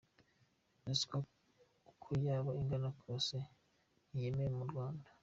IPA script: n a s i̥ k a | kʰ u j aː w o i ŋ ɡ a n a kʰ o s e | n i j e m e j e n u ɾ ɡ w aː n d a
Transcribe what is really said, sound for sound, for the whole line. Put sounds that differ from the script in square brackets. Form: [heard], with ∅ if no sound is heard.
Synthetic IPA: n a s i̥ k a | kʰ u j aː [β] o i ŋ ɡ a n a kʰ o s e | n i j e m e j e [m] u ɾ ɡ w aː n d a